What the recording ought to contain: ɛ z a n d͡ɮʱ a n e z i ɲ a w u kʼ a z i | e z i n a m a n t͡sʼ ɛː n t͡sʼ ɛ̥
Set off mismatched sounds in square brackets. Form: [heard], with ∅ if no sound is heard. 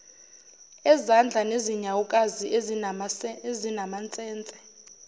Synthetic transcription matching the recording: ɛ z a n d͡ɮʱ a n e z i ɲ a w u kʼ a z i | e z i n a m a n t͡sʼ ɛː n t͡sʼ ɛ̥